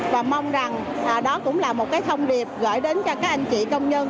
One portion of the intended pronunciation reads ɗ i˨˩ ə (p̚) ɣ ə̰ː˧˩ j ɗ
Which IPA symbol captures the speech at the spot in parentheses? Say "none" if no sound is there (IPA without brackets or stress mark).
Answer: p̚